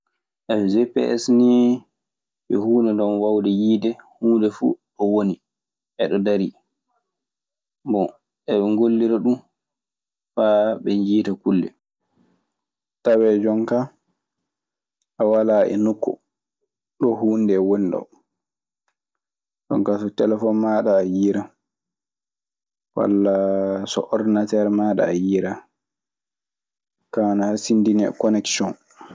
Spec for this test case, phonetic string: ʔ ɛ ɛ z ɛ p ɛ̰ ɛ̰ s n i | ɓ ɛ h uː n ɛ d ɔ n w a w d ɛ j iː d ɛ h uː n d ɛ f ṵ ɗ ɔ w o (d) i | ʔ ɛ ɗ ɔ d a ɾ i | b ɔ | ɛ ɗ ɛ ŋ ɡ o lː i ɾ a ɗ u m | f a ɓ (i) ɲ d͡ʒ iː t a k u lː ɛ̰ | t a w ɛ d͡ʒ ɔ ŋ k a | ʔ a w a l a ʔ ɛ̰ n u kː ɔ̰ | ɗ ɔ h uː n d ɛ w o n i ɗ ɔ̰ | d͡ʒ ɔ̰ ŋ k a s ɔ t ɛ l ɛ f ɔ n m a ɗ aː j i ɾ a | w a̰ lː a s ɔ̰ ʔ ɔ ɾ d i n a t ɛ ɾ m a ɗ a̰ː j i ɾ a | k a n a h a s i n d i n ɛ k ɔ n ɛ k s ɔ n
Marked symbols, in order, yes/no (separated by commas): no, no